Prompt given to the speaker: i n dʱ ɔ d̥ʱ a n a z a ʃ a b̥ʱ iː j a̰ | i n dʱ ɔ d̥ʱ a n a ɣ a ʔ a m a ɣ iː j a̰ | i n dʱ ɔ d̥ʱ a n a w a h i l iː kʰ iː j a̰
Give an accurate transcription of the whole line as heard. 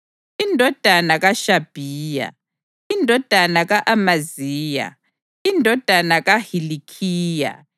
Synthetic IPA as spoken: i n dʱ ɔ d̥ʱ a n a ɣ a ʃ a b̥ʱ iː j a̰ | i n dʱ ɔ d̥ʱ a n a ɣ a ʔ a m a z iː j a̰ | i n dʱ ɔ d̥ʱ a n a ɣ a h i l i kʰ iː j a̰